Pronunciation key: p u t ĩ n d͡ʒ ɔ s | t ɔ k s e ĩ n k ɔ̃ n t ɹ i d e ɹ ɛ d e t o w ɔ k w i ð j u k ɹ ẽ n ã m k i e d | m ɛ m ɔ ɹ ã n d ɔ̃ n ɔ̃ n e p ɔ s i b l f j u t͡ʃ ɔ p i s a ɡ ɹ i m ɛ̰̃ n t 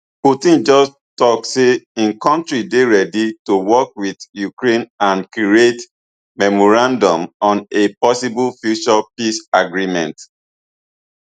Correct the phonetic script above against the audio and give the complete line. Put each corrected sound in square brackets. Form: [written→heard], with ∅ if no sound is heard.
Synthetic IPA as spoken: p u t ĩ n d͡ʒ ɔ s | t ɔ k s e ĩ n k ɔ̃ n t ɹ i d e ɹ ɛ d [e→i] t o w ɔ k w i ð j u k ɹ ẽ n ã [m→n] k i e [d→t] | m ɛ m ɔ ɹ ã n d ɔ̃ [n→m] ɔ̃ n e p ɔ s i b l f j u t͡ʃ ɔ p i s a ɡ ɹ i m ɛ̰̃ n t